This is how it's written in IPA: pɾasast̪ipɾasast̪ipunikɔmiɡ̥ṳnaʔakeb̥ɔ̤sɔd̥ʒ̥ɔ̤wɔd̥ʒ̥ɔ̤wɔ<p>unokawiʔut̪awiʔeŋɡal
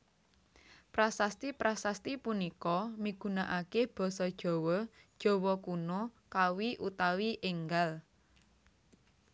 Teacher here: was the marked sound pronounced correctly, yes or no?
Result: no